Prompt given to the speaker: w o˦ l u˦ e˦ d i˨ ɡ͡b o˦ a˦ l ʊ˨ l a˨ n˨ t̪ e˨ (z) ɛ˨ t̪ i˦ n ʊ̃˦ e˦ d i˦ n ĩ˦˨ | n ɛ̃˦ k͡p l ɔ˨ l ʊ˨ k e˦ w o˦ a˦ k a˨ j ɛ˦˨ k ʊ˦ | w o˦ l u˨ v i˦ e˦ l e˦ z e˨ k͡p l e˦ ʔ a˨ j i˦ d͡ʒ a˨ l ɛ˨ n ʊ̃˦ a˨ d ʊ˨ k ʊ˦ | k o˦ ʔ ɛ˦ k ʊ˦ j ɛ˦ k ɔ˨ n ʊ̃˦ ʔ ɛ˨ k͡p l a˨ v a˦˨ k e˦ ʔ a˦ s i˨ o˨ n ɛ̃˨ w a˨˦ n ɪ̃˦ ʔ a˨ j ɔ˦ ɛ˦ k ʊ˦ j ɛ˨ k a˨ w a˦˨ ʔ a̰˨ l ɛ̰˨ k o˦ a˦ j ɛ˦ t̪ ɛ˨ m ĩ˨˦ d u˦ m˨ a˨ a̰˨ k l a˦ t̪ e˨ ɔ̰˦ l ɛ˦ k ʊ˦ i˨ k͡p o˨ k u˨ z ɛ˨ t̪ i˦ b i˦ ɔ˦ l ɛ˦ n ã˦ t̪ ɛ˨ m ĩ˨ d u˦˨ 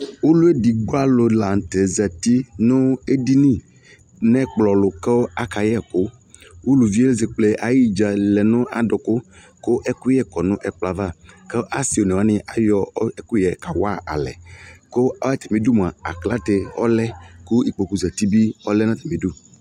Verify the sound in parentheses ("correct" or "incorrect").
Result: correct